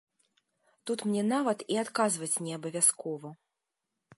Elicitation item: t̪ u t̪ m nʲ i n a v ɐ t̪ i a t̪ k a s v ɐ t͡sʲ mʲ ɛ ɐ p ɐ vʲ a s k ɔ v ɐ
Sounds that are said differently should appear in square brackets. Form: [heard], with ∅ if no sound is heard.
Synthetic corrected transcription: t̪ u t̪ m nʲ [ɛ] n a v ɐ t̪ i a t̪ k a [z] v ɐ t͡sʲ [nʲ] ɛ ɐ [b] ɐ vʲ a s k ɔ v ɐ